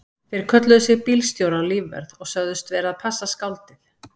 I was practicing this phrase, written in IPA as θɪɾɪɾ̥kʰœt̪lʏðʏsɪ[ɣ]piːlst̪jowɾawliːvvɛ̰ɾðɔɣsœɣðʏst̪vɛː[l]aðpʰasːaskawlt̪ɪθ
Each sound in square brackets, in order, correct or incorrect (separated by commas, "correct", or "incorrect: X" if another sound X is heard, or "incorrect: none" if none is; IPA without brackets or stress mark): correct, incorrect: ɾ